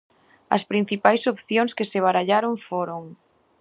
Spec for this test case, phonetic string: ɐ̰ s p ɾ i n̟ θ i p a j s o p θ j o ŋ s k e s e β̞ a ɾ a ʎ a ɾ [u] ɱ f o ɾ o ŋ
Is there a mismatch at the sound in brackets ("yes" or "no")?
yes